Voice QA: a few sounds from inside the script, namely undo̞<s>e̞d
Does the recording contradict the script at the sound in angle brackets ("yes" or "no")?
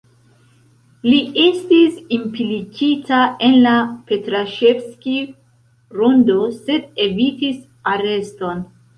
no